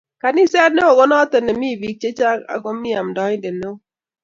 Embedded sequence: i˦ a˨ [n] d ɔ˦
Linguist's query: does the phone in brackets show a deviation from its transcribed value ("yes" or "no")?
yes